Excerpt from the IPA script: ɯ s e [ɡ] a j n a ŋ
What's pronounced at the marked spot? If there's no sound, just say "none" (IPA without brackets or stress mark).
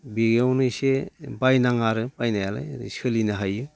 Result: b